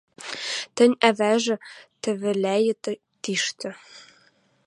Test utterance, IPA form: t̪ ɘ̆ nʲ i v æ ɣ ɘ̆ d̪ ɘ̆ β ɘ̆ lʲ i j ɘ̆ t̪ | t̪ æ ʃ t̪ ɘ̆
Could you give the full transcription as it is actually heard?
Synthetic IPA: t̪ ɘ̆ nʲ æ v æ ʒ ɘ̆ t̪ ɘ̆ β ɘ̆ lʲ æ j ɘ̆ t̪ | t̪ i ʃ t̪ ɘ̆